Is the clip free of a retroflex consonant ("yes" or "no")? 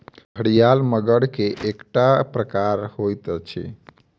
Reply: no